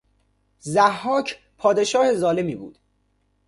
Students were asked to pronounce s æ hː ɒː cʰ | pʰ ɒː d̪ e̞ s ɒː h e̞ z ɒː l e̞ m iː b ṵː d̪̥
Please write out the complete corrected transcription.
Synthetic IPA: z æ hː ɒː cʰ | pʰ ɒː d̪ e̞ ʃ ɒː h e̞ z ɒː l e̞ m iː b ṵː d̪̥